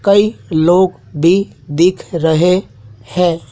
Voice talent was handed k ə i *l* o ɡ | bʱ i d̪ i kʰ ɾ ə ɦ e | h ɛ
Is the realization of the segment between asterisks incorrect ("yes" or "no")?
no